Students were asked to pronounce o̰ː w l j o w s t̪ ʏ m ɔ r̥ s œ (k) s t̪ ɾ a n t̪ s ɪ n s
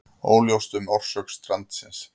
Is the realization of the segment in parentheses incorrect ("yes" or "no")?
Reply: no